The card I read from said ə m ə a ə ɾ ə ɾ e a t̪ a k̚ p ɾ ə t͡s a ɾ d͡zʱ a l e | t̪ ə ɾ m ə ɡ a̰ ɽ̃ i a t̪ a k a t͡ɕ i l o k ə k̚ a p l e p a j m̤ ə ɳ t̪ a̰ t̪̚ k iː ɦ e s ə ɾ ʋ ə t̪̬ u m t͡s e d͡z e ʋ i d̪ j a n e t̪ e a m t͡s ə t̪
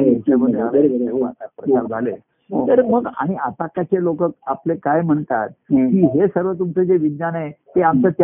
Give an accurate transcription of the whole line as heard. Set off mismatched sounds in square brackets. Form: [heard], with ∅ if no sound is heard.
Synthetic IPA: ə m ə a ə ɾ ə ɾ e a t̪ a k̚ p ɾ ə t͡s a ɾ d͡zʱ a l e | t̪ ə ɾ m ə ɡ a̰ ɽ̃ i a t̪ a k a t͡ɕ [e] l o k ə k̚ a p l e [k] a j m̤ ə ɳ t̪ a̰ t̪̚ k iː ɦ e s ə ɾ ʋ ə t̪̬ u m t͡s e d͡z e ʋ i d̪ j a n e t̪ e a m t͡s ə t̪